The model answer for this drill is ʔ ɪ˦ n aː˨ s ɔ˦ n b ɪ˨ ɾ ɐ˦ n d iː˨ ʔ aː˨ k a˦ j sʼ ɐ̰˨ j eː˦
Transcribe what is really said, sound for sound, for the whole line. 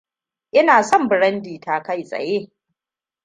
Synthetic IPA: ʔ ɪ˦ n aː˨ s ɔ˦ m b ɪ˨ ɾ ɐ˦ n d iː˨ t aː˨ k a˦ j sʼ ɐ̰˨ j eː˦

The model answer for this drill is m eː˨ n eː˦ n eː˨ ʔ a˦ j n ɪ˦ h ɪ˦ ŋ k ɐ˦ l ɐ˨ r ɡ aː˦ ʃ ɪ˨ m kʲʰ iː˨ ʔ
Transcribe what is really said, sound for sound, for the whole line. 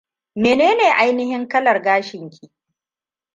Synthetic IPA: m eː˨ n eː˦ n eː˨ ʔ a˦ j n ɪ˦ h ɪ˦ ŋ k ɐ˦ l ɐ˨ r ɡ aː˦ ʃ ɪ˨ ŋ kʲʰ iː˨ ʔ

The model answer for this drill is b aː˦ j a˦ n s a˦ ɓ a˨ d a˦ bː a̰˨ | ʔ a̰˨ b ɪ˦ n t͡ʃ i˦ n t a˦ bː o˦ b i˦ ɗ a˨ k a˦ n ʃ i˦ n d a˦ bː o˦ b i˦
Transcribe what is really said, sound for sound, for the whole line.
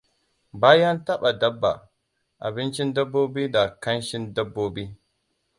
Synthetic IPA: b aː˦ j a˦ n t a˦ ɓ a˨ d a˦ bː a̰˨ | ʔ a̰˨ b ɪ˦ n t͡ʃ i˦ n d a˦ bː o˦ b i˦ d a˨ k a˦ n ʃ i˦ n d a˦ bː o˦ b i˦

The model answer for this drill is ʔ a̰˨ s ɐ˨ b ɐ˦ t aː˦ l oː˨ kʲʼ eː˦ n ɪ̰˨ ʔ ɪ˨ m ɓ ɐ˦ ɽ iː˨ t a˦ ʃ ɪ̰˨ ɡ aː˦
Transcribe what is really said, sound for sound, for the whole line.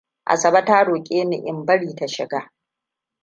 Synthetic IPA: ʔ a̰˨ s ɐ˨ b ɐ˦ t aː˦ ɽ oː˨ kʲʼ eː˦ n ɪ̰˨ ʔ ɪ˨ m b ɐ˦ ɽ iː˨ t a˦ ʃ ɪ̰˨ ɡ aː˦

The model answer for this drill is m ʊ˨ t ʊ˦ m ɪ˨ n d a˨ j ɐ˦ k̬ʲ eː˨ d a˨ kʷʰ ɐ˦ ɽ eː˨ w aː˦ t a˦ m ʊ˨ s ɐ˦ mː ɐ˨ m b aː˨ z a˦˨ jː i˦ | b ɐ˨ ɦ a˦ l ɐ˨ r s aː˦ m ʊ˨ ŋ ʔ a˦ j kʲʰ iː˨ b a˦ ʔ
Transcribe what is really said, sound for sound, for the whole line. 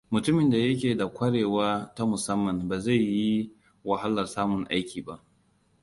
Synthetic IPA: m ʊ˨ t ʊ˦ m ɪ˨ n d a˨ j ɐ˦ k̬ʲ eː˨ d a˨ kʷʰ ɐ˦ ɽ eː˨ w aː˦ t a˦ m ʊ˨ s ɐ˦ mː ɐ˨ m b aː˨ z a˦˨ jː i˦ | w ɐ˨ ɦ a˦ l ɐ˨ r s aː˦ m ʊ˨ ŋ ʔ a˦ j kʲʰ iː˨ b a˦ ʔ

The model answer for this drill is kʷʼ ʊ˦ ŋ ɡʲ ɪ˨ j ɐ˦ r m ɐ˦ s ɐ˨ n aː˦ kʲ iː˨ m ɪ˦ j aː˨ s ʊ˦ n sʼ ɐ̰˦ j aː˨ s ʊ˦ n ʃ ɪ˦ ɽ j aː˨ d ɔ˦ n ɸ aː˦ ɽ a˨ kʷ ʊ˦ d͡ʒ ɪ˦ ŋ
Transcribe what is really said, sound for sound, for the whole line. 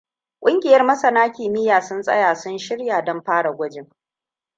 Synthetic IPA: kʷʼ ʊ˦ ŋ ɡʲ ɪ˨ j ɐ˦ r m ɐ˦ s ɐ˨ n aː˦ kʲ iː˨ m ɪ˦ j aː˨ s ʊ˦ n sʼ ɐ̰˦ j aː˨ s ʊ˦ n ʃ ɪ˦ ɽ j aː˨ d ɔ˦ m ɸ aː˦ ɽ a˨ ɡʷ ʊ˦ d͡ʒ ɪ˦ ŋ

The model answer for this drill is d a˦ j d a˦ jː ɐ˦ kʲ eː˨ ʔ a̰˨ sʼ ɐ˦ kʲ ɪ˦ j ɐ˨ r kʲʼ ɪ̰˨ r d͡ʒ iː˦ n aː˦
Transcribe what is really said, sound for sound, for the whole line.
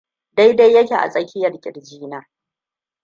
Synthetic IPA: d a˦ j d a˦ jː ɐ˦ kʲ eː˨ ʔ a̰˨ sʼ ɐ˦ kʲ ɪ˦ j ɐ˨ r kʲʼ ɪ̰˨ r d͡ʒ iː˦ n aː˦

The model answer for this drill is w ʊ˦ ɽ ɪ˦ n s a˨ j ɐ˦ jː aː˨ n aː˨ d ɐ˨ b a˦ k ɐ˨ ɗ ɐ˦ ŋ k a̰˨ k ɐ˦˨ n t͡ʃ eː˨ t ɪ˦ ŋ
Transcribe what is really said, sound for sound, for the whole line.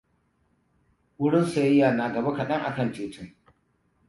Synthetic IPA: w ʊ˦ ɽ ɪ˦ n s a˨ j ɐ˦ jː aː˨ n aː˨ ɡ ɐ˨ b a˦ k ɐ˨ ɗ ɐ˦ ŋ ʔ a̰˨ k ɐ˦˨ n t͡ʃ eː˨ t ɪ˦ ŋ

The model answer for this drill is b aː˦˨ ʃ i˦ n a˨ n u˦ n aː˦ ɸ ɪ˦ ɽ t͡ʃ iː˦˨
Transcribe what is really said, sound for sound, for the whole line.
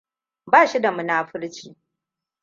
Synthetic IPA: b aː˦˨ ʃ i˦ d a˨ m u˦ n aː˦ ɸ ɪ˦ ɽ t͡ʃ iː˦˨

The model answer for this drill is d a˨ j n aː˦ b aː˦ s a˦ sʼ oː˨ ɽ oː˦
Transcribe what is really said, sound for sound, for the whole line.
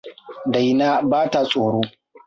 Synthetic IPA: d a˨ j n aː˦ b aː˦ t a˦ sʼ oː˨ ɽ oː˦

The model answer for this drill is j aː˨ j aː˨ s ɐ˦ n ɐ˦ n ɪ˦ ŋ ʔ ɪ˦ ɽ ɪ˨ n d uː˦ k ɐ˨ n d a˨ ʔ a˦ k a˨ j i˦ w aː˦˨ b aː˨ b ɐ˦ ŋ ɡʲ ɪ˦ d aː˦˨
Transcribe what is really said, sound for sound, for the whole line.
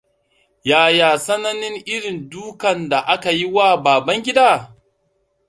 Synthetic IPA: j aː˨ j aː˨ s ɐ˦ n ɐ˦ n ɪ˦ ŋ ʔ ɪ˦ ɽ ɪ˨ n d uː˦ k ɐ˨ n d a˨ ʔ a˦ k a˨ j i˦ w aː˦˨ b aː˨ b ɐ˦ ŋ ɡʲ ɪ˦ d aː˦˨

